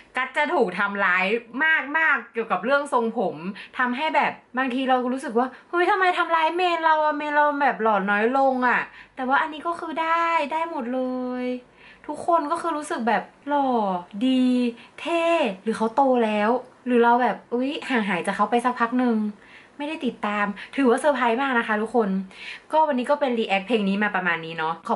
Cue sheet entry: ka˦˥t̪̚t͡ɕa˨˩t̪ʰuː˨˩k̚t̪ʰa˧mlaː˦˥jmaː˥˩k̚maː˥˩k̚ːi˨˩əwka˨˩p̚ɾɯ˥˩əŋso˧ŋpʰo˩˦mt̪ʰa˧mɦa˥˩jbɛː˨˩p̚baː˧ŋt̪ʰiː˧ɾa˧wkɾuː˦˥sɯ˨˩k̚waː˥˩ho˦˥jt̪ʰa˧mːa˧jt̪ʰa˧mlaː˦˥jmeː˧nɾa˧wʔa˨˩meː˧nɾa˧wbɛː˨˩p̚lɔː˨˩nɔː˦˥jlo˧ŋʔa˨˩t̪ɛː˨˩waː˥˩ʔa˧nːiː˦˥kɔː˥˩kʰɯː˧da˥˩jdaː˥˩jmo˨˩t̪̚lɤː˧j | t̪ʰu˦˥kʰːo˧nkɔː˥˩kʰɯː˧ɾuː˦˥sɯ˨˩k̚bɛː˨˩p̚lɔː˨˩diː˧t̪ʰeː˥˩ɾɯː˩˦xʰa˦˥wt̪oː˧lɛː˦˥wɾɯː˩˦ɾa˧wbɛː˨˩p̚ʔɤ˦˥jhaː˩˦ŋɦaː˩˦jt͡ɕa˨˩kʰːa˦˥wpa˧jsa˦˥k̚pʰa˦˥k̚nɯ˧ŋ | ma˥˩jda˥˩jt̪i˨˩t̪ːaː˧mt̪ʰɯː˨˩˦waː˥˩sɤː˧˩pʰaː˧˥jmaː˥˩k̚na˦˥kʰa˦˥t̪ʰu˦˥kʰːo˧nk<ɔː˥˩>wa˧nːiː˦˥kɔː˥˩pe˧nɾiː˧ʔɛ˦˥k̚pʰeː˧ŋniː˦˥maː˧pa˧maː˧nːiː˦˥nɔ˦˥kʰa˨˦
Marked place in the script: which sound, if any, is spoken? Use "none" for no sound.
ɔː˥˩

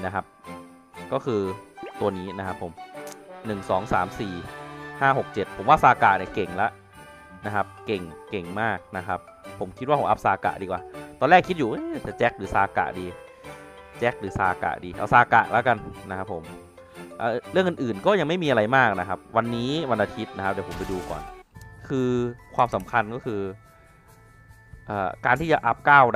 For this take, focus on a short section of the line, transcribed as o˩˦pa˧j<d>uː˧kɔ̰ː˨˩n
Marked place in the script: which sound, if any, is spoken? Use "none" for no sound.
d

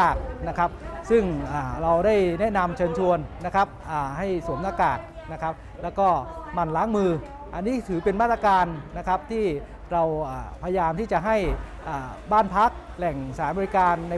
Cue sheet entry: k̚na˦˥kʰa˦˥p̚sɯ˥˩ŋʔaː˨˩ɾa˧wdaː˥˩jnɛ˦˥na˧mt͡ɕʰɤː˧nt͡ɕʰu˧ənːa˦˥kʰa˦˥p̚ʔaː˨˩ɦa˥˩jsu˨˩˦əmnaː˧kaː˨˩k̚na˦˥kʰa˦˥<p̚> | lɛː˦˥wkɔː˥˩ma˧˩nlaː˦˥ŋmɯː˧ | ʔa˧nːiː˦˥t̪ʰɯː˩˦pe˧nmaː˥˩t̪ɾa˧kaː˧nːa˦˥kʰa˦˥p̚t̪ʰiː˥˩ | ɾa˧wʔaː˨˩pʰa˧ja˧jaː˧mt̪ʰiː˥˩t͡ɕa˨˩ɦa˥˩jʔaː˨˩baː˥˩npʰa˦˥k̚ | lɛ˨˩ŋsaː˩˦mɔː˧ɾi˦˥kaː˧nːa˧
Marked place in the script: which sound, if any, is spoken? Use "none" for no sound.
p̚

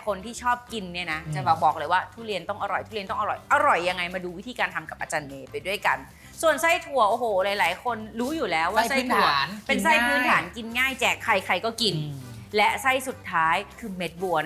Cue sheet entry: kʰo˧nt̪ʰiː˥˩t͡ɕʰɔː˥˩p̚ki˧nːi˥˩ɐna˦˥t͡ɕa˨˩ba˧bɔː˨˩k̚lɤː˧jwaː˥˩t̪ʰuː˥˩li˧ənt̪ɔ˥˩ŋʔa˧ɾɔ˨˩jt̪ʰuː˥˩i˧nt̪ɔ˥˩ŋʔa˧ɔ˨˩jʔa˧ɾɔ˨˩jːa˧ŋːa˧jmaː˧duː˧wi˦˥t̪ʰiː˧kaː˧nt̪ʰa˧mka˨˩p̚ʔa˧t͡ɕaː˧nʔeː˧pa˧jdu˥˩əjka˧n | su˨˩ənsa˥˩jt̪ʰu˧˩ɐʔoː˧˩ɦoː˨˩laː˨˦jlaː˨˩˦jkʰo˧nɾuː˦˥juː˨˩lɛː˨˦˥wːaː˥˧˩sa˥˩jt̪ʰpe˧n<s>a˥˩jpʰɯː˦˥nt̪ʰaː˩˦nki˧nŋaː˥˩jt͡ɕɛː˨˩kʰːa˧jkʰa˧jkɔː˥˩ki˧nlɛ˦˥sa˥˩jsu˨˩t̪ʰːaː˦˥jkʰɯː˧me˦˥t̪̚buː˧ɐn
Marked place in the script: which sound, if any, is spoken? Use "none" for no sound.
s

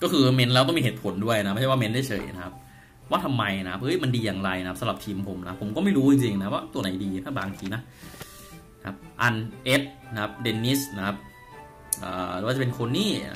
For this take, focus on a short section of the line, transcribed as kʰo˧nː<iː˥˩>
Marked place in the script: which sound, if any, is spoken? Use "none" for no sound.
iː˥˩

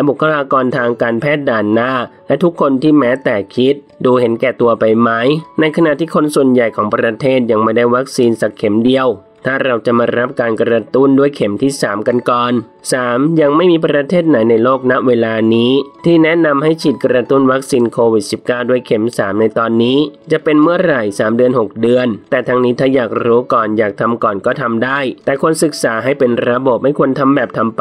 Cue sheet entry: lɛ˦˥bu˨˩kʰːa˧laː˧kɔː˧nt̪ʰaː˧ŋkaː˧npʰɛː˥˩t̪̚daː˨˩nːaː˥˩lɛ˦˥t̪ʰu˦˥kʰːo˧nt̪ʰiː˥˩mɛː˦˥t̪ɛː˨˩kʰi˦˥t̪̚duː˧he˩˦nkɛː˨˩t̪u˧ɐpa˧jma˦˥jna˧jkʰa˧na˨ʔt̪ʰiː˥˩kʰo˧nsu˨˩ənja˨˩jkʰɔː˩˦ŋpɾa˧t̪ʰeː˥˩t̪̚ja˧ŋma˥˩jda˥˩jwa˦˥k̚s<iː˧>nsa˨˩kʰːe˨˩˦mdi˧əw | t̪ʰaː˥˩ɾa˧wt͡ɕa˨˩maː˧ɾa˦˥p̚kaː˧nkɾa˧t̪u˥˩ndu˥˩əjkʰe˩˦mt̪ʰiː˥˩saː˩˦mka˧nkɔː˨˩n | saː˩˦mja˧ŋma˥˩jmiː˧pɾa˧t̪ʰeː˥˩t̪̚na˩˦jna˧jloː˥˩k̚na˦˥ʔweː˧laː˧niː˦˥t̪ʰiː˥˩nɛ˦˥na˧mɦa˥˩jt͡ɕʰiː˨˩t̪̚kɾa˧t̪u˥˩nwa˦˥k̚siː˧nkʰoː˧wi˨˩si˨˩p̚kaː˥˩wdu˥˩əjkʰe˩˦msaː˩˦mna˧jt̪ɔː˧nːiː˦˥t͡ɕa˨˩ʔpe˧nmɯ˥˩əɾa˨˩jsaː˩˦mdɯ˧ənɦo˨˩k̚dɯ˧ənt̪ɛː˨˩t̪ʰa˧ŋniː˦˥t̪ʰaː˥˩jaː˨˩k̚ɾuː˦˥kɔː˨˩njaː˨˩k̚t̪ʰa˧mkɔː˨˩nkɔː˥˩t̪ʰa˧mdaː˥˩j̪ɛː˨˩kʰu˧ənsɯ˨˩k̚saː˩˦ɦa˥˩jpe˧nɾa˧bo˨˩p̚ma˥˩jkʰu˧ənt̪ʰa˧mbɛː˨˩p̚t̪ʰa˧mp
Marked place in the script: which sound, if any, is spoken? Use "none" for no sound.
iː˧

